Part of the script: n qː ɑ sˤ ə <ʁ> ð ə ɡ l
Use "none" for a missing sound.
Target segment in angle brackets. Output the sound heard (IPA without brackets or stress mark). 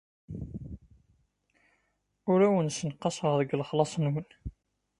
ʁ